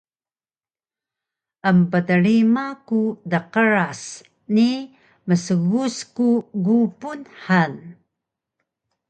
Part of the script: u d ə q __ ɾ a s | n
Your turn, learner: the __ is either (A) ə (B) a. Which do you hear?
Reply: A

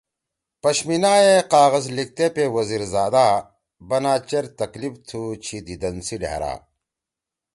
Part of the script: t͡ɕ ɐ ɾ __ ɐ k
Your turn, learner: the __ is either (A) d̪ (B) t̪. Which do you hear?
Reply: B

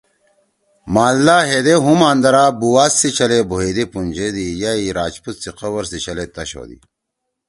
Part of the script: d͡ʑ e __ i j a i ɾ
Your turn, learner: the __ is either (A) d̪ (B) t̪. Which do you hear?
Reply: A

